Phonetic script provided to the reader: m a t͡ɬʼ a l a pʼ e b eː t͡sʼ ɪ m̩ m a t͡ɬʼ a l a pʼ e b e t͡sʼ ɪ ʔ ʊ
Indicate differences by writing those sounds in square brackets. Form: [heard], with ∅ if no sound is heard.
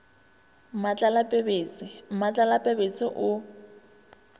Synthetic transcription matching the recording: m a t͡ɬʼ a l a pʼ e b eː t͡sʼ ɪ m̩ m a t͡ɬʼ a l a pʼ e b e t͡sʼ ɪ ʔ ʊ

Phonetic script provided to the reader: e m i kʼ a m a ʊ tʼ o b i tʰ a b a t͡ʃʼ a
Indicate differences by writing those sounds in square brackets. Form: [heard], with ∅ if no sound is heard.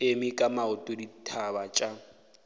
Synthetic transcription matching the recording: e m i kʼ a m a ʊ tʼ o [d] i tʰ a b a t͡ʃʼ a

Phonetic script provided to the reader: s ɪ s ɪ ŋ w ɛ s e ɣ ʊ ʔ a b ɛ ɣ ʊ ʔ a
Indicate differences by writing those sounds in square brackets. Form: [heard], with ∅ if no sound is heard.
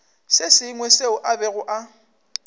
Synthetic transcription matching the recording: s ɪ s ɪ ŋ w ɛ s e [∅] ʊ ʔ a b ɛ ɣ ʊ ʔ a

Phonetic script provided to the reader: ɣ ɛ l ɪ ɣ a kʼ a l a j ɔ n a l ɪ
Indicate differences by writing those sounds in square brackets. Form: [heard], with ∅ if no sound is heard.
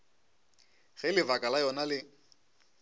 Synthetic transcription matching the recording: ɣ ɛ l ɪ [v] a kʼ a l a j ɔ n a l ɪ

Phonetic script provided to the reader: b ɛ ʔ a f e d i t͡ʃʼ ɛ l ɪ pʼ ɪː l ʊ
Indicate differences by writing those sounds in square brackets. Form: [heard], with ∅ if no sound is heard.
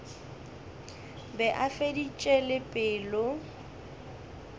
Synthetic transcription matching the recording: b ɛ ʔ a f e d i t͡ʃʼ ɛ l ɪ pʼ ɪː l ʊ

